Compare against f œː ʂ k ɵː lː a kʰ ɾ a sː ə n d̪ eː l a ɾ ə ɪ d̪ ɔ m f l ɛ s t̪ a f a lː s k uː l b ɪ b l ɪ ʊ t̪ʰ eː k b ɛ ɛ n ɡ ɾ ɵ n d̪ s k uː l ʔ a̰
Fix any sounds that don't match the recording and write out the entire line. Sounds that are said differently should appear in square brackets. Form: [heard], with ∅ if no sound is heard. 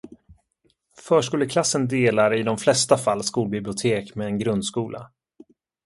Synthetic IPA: f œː ʂ k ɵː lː [ə] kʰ [l] a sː ə n d̪ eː l a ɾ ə ɪ d̪ ɔ m f l ɛ s t̪ a f a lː s k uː l b ɪ b l ɪ ʊ t̪ʰ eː k [m] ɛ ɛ n ɡ ɾ ɵ n d̪ s k uː l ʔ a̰